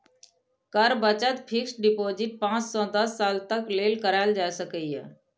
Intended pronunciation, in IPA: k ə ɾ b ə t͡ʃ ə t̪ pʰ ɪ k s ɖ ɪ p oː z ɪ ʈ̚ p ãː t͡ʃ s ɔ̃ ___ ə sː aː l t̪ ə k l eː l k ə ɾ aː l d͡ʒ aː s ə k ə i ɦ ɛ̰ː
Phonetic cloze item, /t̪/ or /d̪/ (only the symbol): d̪